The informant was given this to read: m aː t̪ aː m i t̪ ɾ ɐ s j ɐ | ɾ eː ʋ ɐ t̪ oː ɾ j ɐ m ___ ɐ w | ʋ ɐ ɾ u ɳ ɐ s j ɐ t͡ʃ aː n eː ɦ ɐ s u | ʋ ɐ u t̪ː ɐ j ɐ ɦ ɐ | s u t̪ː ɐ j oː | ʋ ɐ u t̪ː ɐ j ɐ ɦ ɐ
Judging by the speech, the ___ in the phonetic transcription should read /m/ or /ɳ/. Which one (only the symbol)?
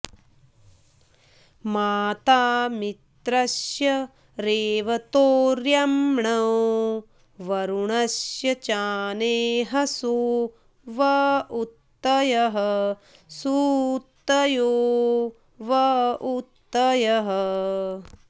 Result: ɳ